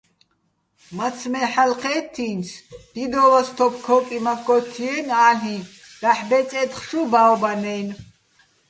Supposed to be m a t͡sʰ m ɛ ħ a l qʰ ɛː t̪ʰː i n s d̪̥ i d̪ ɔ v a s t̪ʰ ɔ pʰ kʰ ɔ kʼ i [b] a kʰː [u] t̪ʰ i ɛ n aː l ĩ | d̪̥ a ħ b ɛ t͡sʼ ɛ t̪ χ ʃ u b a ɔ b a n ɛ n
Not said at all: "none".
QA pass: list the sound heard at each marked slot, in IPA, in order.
m, ɔ

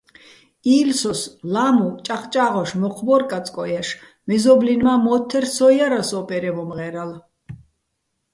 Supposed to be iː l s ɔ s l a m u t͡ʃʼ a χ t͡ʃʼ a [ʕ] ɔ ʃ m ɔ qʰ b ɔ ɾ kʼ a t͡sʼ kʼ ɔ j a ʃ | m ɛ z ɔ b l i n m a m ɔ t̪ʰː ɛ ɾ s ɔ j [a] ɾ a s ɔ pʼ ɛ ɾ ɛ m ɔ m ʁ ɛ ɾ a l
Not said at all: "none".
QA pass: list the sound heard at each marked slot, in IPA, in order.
ʁ, a

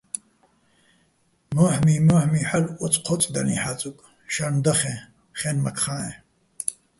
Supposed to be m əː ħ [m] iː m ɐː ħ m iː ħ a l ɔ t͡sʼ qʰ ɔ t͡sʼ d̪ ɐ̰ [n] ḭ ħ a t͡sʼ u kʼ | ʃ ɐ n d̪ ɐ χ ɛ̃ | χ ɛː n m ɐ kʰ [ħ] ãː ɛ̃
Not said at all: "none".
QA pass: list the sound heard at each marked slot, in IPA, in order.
m, n, χ

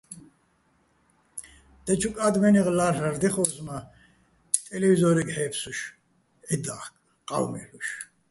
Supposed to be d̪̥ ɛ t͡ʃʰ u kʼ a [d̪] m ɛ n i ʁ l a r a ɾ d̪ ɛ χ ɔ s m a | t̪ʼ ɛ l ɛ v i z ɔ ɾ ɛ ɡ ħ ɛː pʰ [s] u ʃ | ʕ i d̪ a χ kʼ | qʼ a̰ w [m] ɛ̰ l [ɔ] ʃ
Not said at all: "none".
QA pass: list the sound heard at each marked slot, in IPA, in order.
d̪, s, m, u

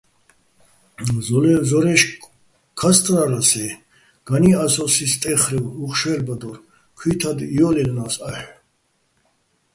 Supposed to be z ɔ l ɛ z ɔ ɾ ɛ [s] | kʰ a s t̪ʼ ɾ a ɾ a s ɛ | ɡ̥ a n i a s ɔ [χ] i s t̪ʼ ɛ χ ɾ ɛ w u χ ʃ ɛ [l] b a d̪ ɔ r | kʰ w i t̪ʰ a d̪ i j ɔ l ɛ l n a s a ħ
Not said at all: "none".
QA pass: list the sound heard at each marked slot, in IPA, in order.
ʃ, s, l

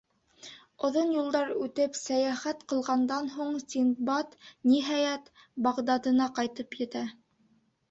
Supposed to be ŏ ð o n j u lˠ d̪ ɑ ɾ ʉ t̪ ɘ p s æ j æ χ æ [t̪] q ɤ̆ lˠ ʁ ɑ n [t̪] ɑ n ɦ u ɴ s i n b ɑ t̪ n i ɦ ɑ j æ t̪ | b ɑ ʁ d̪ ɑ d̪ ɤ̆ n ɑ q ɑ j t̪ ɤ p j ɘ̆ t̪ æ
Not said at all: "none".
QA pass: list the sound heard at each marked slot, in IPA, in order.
t̪, d̪

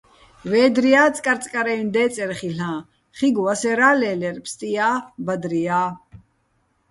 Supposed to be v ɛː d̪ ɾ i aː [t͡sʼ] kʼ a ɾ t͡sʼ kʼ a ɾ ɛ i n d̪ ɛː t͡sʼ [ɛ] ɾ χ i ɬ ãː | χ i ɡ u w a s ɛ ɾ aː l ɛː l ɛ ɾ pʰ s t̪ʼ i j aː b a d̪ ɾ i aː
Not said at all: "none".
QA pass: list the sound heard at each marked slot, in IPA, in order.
t͡sʼ, ɛ

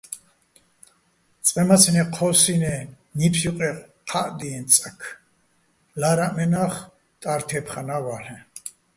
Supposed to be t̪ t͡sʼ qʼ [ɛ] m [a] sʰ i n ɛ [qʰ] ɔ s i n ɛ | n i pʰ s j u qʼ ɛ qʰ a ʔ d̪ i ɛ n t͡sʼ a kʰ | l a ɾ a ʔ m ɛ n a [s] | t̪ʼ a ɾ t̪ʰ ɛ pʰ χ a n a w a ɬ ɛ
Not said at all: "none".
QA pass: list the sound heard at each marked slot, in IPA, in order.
ɛ, a, qʰ, χ

